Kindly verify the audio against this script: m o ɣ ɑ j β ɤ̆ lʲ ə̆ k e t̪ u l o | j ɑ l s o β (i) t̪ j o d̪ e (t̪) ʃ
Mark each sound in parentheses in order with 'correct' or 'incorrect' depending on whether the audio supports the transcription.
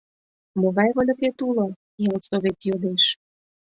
incorrect: e, incorrect: none

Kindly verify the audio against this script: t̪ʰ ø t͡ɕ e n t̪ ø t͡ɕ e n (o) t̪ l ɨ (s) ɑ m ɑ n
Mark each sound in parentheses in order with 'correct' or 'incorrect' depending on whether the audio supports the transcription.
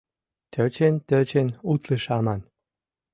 incorrect: u, incorrect: ʃ

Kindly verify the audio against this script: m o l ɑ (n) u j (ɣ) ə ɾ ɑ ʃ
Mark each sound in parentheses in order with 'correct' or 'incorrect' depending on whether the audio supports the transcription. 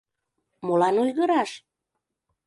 correct, correct

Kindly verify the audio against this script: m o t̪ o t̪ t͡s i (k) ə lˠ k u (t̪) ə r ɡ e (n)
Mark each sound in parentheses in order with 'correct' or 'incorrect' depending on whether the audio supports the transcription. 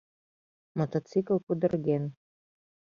correct, incorrect: d̪, correct

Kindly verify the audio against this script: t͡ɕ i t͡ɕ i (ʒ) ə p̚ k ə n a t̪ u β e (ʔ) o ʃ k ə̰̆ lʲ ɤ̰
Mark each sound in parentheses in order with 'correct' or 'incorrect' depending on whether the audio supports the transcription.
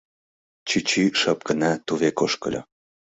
incorrect: ʃ, incorrect: k

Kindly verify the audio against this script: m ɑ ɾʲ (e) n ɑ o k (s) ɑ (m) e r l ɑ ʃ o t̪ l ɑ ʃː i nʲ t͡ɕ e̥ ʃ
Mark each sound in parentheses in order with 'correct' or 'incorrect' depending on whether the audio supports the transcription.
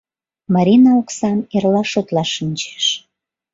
incorrect: i, correct, incorrect: n

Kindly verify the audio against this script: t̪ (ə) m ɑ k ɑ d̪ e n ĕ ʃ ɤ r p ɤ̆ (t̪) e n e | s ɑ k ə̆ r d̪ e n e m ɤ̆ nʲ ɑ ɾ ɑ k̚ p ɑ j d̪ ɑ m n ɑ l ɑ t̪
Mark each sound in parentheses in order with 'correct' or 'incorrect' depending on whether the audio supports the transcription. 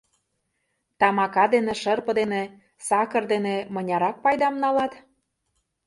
incorrect: ɑ, incorrect: d̪

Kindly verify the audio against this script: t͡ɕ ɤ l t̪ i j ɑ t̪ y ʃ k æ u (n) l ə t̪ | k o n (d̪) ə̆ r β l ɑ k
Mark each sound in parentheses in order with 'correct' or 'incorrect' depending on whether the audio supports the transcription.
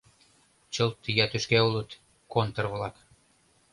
incorrect: none, incorrect: t̪

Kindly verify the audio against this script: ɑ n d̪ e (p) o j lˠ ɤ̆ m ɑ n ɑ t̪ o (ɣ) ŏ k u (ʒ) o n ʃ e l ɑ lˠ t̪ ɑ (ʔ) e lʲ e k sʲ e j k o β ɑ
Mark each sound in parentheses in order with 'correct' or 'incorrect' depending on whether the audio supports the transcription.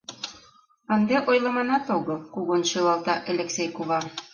incorrect: ʔ, correct, incorrect: ɣ, correct

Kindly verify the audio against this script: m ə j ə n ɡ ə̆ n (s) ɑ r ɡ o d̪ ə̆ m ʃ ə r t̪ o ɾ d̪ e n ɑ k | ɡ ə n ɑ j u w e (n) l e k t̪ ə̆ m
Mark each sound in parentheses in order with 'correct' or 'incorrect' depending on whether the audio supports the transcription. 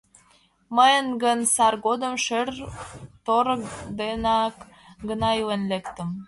correct, correct

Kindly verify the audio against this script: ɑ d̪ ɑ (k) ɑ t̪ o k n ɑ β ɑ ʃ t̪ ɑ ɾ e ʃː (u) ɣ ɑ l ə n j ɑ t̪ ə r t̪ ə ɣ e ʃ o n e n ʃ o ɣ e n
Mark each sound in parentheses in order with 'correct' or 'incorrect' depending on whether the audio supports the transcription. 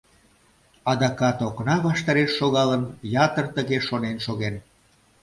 correct, incorrect: o

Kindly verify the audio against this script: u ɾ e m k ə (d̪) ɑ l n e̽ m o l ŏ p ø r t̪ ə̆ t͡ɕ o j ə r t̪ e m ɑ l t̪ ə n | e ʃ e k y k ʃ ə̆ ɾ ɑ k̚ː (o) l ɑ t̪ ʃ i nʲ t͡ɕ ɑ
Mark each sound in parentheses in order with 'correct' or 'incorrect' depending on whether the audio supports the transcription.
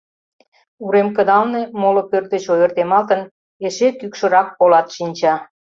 correct, correct

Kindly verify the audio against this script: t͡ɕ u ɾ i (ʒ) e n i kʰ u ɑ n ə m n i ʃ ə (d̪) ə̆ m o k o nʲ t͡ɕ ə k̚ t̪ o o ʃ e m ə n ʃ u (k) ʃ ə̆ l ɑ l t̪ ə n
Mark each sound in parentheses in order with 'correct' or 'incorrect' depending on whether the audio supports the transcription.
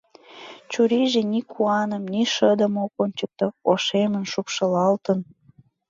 correct, correct, incorrect: p

